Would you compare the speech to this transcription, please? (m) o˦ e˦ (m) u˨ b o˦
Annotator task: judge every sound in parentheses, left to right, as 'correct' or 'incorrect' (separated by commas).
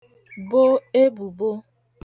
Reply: incorrect, incorrect